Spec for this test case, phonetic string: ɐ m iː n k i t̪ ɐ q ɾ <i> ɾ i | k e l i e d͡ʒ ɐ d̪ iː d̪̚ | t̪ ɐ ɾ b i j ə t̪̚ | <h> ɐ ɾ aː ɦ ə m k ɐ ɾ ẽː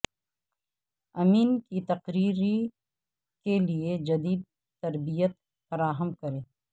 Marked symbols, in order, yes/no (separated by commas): no, no